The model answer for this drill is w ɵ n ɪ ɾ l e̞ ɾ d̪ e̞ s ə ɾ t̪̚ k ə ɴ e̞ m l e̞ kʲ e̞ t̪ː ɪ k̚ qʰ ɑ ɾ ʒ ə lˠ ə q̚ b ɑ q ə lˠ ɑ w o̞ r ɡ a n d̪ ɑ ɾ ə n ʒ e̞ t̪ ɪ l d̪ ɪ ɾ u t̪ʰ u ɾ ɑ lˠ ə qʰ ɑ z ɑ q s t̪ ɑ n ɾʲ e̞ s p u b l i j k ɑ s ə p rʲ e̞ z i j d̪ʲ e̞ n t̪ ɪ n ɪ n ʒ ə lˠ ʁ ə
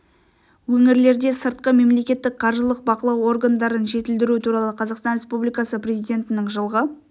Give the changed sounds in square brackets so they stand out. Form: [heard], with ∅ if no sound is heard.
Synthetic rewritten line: w ɵ [ŋ] ɪ ɾ l e̞ ɾ d̪ e̞ s ə ɾ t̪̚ [q] ə [m] e̞ m l e̞ kʲ e̞ t̪ː ɪ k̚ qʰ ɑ ɾ ʒ ə lˠ ə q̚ b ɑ q ə lˠ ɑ w o̞ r ɡ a n d̪ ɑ ɾ ə n ʒ e̞ t̪ ɪ l d̪ ɪ ɾ u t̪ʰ u ɾ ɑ lˠ ə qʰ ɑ z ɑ q s t̪ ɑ n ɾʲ e̞ s p u b l i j k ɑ s ə p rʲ e̞ z i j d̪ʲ e̞ n t̪ ɪ n ɪ [ŋ] ʒ ə lˠ ʁ ə